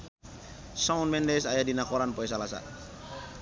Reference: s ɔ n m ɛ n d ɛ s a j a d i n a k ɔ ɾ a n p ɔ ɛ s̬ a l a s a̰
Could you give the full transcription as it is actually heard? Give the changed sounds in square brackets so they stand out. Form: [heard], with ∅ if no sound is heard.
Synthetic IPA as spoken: s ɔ n m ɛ n d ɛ s a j a d i n a k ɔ ɾ a n p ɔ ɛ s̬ a l a s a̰